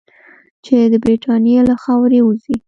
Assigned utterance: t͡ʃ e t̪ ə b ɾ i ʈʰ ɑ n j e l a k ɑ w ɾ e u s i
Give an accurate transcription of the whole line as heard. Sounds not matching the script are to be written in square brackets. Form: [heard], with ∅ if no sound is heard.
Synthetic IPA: t͡ʃ e [d̪] ə b ɾ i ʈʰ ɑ n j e l a [x] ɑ w ɾ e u [z] i